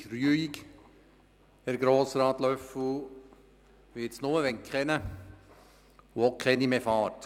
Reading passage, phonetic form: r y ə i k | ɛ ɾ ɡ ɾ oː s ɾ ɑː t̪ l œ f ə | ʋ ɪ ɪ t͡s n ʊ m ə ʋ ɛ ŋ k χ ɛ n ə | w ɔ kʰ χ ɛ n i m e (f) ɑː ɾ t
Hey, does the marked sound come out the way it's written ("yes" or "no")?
yes